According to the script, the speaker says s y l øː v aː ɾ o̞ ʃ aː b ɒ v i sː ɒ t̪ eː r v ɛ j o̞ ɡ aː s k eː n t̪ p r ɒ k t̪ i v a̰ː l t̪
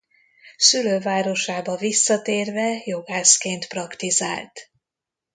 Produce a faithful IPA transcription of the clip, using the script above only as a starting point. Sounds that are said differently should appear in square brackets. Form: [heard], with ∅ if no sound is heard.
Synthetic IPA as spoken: s y l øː v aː ɾ o̞ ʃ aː b ɒ v i sː ɒ t̪ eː r v ɛ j o̞ ɡ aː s k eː n t̪ p r ɒ k t̪ i [z] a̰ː l t̪